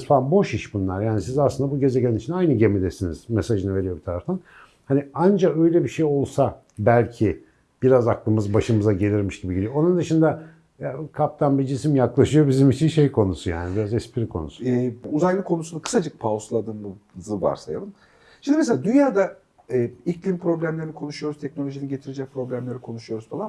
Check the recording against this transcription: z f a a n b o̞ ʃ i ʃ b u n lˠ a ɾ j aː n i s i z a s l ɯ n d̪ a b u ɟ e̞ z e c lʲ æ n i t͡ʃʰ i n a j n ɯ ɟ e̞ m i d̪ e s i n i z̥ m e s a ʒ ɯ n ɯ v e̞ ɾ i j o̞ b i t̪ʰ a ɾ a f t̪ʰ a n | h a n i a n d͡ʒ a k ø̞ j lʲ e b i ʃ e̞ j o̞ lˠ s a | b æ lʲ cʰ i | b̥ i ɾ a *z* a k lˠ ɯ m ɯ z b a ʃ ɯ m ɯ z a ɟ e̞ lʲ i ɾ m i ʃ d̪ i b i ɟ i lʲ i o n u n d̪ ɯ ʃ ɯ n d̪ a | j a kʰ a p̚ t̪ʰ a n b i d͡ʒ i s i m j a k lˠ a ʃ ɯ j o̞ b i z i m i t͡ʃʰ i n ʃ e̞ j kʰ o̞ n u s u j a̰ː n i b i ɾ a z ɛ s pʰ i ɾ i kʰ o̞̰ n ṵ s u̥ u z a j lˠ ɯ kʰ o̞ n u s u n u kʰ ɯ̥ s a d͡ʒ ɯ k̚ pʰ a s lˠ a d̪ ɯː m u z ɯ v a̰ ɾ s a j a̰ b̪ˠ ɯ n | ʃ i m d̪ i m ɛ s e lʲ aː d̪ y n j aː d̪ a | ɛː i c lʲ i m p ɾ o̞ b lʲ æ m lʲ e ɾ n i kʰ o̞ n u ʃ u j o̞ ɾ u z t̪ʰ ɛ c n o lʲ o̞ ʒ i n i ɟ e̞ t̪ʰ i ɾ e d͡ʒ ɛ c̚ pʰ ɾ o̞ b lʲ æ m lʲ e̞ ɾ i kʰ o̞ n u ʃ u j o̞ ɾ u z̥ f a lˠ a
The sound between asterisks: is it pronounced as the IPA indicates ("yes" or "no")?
yes